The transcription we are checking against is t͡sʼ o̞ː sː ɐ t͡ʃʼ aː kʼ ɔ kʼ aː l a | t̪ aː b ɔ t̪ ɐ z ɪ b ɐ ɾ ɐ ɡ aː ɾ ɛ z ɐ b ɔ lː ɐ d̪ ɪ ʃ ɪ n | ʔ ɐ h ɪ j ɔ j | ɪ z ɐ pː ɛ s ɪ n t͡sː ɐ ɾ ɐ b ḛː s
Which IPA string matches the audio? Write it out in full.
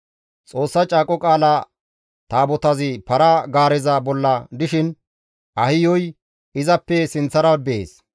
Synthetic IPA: t͡sʼ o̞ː sː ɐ t͡ʃʼ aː kʼ ɔ kʼ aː l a | t̪ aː b ɔ t̪ ɐ z ɪ p ɐ ɾ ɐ ɡ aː ɾ ɛ z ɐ b ɔ lː ɐ d̪ ɪ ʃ ɪ n | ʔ ɐ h ɪ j ɔ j | ɪ z ɐ pː ɛ s ɪ n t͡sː ɐ ɾ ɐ b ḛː s